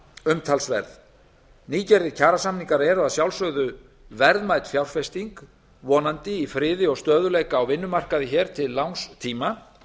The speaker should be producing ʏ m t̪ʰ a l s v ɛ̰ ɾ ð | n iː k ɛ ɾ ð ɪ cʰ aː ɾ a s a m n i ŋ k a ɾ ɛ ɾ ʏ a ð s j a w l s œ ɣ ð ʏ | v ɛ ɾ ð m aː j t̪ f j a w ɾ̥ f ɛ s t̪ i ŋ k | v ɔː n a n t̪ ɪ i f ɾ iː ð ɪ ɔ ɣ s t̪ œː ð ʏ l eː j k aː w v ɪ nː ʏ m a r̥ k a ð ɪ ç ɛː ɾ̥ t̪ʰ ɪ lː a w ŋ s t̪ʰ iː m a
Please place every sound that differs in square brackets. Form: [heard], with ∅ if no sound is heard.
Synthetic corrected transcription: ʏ m t̪ʰ a l s v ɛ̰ ɾ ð | n iː [c] ɛ ɾ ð ɪ cʰ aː ɾ a s a m n i ŋ k a ɾ ɛ ɾ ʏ a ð s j a w l s œ ɣ ð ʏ | v ɛ ɾ ð m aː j t̪ f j a w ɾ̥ f ɛ s t̪ i ŋ k | v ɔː n a n t̪ ɪ i f ɾ [ɪː] ð ɪ ɔ ɣ s t̪ œː ð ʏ l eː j k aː w v ɪ nː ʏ m a r̥ k a ð ɪ ç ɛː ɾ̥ t̪ʰ ɪ lː a w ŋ s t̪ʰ iː m a

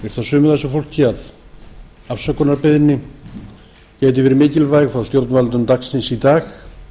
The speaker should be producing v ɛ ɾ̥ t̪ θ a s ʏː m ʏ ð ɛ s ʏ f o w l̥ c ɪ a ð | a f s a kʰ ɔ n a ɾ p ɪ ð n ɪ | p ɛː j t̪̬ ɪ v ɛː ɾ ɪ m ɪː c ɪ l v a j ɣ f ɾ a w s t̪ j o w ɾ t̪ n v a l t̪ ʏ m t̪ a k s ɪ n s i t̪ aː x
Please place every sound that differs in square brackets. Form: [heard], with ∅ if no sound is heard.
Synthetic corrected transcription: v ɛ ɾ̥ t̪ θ a s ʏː m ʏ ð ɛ s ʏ f o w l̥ c ɪ a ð | a f s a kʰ ɔ n a ɾ p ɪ ð n ɪ | [c] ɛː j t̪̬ ɪ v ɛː ɾ ɪ m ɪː c ɪ l v a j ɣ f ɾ a w s t̪ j o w ɾ t̪ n v a l t̪ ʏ m t̪ a k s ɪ n s i t̪ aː x

